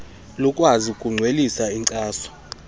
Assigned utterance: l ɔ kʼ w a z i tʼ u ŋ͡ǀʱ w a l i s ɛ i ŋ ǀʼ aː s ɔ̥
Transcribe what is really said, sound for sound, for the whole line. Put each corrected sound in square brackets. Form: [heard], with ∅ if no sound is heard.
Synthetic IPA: l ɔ kʼ w a z i [kʼ] u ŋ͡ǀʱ w [e] l i s [a] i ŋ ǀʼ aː s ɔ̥

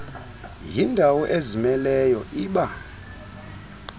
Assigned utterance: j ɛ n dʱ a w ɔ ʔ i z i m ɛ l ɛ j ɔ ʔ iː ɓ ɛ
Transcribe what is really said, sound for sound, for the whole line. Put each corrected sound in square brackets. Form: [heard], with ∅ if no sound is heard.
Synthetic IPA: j [i] n dʱ a w ɔ ʔ [e] z i m ɛ l ɛ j ɔ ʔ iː ɓ [a]

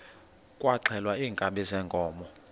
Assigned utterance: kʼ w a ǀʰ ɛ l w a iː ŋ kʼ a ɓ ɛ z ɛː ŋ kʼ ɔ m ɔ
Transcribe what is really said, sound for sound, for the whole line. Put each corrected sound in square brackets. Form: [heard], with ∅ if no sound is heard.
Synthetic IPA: kʼ w a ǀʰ ɛ l w a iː ŋ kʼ a ɓ ɛ z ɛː ŋ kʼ [ɔː] m ɔ

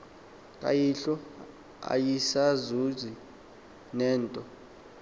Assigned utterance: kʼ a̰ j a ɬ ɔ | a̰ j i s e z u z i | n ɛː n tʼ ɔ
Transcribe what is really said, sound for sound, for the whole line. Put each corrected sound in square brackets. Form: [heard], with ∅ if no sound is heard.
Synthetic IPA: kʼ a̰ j [i] ɬ ɔ | a̰ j i s [a] z u z i | n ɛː n tʼ ɔ

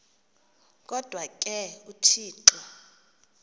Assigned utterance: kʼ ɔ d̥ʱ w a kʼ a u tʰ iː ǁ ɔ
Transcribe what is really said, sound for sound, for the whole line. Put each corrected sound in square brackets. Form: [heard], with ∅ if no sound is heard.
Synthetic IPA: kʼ ɔ d̥ʱ w a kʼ [ɛ] u tʰ iː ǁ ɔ

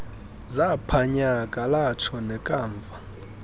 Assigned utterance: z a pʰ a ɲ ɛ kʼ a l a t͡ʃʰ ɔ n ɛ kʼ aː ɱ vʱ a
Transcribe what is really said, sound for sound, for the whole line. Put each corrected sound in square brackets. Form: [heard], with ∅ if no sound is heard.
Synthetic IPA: z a pʰ a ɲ [a] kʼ a l a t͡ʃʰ ɔ n ɛ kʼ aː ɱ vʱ a

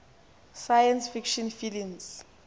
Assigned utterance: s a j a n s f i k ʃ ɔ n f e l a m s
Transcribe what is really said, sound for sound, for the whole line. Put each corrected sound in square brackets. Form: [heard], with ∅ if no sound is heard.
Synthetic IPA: s a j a n s f i k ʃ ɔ n f [i] l [i] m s

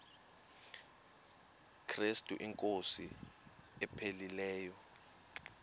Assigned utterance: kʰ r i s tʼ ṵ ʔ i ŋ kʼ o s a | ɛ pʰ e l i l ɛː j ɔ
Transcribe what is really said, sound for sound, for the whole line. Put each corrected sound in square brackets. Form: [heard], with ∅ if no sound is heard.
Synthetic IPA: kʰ r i s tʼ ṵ ʔ i ŋ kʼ o s [i] | ɛ pʰ e l i l ɛː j ɔ

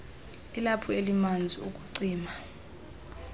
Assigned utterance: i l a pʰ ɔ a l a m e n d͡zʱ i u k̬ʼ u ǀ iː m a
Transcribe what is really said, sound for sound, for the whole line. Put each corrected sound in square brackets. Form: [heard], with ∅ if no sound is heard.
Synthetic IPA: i l a pʰ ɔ [e] l [i] m [a] n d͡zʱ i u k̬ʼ u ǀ iː m a

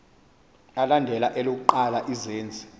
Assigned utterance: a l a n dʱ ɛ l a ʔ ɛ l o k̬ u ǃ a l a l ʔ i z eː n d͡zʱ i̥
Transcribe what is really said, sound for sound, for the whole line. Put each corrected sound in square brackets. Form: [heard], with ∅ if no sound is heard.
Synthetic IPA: a l a n dʱ ɛ l a ʔ ɛ l o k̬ u ǃ a l a [∅] ʔ i z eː n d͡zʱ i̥

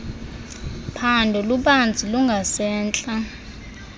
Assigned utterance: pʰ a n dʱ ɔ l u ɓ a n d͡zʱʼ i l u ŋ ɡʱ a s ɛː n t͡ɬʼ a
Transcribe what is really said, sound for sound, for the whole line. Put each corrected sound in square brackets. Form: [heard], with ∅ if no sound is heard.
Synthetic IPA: pʰ a n dʱ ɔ l u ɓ a n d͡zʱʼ i l u ŋ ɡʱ a s ɛː n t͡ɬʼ a

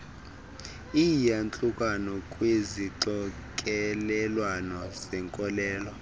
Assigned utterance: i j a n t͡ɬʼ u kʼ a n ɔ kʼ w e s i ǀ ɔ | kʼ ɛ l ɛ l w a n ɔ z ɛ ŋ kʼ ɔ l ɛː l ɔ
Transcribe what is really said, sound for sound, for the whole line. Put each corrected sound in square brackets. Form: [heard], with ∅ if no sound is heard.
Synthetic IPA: i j a n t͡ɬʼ u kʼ a n ɔ kʼ w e [z] i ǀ ɔ | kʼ ɛ l ɛ l w a n ɔ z ɛ ŋ kʼ ɔ l ɛː l ɔ

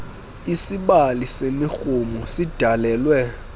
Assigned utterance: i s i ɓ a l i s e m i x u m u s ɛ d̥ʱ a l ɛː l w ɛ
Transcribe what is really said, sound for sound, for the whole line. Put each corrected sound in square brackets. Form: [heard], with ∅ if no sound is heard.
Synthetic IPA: i s i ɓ a l i s e m i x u m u s [i] d̥ʱ a l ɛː l w ɛ

